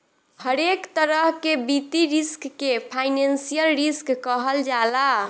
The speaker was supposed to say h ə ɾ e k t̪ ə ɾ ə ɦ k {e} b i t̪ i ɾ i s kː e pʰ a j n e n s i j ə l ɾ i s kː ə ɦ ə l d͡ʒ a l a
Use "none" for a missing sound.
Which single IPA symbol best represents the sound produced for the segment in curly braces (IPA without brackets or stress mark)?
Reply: e